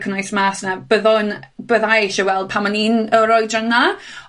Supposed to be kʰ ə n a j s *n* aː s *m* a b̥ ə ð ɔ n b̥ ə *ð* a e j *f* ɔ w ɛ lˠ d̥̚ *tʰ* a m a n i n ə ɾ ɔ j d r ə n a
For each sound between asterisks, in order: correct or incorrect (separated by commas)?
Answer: incorrect, incorrect, correct, incorrect, incorrect